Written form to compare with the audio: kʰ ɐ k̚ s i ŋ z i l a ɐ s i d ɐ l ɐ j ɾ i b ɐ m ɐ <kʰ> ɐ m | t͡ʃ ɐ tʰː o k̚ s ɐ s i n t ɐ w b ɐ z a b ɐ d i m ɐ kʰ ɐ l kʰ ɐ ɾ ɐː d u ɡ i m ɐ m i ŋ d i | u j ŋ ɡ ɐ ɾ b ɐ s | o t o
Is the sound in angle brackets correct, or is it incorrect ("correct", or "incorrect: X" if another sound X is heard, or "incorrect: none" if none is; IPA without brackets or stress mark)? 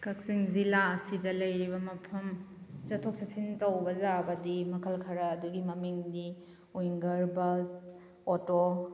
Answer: incorrect: pʰ